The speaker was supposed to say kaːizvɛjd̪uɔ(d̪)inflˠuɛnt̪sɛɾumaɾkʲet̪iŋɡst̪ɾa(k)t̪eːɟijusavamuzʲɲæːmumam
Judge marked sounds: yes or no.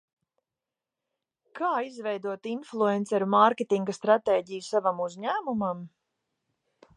no, no

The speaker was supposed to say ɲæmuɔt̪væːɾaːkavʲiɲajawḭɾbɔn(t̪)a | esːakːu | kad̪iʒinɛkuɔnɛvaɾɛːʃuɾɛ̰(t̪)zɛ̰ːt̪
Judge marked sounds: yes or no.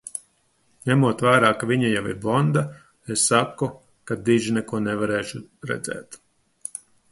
no, no

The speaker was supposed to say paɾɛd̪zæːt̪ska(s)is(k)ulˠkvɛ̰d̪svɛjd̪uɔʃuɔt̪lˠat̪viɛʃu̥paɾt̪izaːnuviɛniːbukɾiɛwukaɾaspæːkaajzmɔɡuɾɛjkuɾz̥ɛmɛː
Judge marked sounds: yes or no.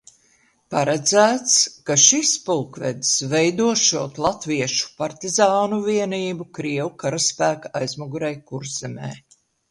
no, no

